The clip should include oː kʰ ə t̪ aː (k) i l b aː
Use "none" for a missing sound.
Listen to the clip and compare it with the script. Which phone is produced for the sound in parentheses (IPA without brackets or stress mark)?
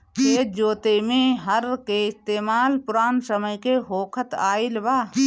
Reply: none